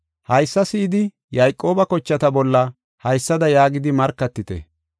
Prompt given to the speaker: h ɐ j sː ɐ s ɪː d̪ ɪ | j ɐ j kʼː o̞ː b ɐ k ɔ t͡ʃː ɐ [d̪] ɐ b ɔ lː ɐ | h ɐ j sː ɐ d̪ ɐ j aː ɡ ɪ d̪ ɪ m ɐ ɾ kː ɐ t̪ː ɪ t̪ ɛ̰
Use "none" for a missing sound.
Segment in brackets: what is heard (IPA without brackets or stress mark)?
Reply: t̪